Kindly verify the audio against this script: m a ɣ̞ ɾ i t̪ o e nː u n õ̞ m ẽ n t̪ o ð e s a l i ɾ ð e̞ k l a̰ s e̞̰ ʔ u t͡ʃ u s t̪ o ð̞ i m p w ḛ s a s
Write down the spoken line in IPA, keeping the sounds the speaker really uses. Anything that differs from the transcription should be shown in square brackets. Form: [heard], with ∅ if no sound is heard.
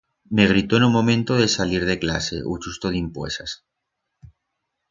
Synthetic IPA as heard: m [e] ɣ̞ ɾ i t̪ o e [n] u [m] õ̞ m ẽ n t̪ o ð e s a l i ɾ ð e̞ k l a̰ s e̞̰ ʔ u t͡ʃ u s t̪ o ð̞ i m p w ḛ s a s

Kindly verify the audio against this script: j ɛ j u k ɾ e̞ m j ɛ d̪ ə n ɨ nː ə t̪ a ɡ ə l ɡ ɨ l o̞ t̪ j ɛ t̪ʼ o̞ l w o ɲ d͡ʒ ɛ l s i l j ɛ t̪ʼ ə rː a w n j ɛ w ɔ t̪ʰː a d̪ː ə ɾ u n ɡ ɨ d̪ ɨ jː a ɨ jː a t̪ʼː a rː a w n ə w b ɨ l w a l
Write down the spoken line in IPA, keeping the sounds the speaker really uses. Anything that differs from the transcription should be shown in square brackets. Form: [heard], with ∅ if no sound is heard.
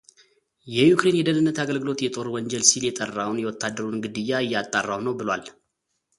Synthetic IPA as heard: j ɛ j u k ɾ e̞ [n] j ɛ d̪ ə n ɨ nː ə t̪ a ɡ ə l ɡ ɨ l o̞ t̪ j ɛ t̪ʼ o̞ [ɾ] w [ɔ] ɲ d͡ʒ ɛ l s i l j ɛ t̪ʼ ə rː a w n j ɛ w ɔ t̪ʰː a d̪ː ə ɾ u n ɡ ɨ d̪ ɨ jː a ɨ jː a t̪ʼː a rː a w n ə w b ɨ l w a l

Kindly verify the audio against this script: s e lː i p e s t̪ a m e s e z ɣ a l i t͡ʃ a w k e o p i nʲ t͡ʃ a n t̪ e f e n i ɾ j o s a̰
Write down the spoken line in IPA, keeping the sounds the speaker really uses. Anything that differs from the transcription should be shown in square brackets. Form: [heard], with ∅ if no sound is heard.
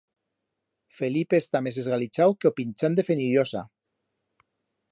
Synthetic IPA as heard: [f] e [l] i p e s t̪ a m e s e z ɣ a l i t͡ʃ a w k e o p i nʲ t͡ʃ a n [d̪] e f e n i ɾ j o s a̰

